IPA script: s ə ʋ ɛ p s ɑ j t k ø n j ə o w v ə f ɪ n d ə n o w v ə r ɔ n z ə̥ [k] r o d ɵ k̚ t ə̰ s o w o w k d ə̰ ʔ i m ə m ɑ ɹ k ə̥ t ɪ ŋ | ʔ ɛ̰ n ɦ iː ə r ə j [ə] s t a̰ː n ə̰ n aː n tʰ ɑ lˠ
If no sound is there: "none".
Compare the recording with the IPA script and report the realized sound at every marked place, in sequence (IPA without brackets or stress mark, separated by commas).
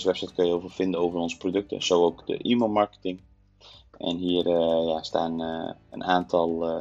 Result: p, a